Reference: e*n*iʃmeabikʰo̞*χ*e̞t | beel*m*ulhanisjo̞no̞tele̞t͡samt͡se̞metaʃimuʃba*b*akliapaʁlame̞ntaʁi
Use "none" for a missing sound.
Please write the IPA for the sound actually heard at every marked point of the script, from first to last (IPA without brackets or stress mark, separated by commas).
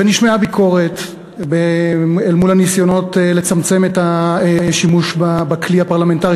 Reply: n, ʁ, m, b